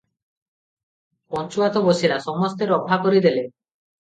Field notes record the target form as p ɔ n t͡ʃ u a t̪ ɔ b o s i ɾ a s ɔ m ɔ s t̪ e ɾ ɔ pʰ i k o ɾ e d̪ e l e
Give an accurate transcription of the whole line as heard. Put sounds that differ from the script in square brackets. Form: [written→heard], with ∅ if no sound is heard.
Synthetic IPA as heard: p ɔ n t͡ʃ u a t̪ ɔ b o s i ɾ a s ɔ m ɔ s t̪ e ɾ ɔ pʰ [i→a] k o ɾ [e→i] d̪ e l e

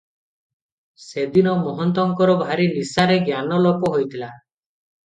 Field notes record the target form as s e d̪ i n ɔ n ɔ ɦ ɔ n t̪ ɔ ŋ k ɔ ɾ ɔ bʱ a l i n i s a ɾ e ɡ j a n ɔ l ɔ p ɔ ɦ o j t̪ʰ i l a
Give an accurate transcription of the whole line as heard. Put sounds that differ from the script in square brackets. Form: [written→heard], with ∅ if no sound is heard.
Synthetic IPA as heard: s e d̪ i n ɔ [n→m] ɔ ɦ ɔ n t̪ ɔ ŋ k ɔ ɾ ɔ bʱ a [l→ɾ] i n i s a ɾ e ɡ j a n ɔ l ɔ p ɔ ɦ o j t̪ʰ i l a

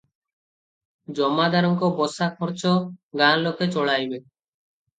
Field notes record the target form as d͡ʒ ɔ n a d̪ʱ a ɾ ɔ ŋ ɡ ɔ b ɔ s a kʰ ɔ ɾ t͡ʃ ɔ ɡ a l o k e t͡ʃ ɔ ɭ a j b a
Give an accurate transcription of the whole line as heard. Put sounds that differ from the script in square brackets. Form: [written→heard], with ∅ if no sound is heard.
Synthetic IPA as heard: d͡ʒ ɔ [n→m] a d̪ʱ a ɾ ɔ ŋ [ɡ→k] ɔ b ɔ s a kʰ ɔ ɾ t͡ʃ ɔ ɡ a l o k e t͡ʃ ɔ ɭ a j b [a→e]

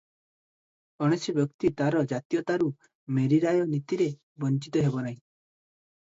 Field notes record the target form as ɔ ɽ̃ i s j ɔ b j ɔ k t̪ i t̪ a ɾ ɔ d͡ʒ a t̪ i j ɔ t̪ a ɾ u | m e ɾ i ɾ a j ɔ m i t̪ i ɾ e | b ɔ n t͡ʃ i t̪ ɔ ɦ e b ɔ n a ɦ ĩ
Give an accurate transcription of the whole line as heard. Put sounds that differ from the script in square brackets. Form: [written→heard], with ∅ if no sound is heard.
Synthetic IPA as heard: ɔ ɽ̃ [i→e] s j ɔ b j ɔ k t̪ i t̪ a ɾ ɔ d͡ʒ a t̪ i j ɔ t̪ a ɾ u | m e ɾ i ɾ a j ɔ [m→n] i t̪ i ɾ e | b ɔ n t͡ʃ i t̪ ɔ ɦ e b ɔ n a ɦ ĩ

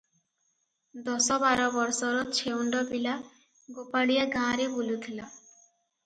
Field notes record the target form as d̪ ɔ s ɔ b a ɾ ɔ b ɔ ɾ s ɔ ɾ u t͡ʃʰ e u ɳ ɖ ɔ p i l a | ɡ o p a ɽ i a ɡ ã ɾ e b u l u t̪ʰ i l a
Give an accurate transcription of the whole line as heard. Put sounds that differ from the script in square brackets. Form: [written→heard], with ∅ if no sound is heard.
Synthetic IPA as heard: d̪ ɔ s ɔ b a ɾ ɔ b ɔ ɾ s ɔ ɾ [u→ɔ] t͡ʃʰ e u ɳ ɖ ɔ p i l a | ɡ o p a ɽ i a ɡ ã ɾ e b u l u t̪ʰ i l a

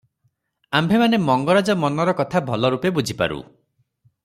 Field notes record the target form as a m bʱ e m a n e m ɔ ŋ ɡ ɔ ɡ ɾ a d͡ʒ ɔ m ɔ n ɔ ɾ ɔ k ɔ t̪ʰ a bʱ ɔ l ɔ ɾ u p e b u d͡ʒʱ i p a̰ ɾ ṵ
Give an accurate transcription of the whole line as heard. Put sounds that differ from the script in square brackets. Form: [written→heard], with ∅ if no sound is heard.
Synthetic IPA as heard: a m bʱ e m a n e m ɔ ŋ ɡ ɔ [ɡ→∅] ɾ a d͡ʒ ɔ m ɔ n ɔ ɾ ɔ k ɔ t̪ʰ a bʱ ɔ l ɔ ɾ u p e b u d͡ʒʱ i p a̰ ɾ ṵ

